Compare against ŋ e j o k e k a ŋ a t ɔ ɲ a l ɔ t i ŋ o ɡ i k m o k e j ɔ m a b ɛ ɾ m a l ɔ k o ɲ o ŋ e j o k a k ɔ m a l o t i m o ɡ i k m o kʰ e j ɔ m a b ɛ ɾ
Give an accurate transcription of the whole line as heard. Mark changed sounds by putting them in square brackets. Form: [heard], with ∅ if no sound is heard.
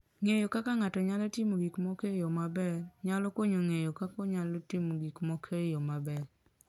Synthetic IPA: ŋ e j o k [a] k a ŋ a t ɔ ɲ a l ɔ t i [m] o ɡ i k m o k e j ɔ m a b ɛ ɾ [ɲ] a l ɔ k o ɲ o ŋ e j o k a k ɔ [ɲ] a l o t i m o ɡ i k m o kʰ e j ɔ m a b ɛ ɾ